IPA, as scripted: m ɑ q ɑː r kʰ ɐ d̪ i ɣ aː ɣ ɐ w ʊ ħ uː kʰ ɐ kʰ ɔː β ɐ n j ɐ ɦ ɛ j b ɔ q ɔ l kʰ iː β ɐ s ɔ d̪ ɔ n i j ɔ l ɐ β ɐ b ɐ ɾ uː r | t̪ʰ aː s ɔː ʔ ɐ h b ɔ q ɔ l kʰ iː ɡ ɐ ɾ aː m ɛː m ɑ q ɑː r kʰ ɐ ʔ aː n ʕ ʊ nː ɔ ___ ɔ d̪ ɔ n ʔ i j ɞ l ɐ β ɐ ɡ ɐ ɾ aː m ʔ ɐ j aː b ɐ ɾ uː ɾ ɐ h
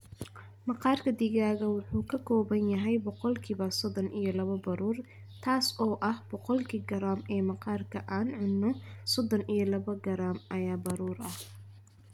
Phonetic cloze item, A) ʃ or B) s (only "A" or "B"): B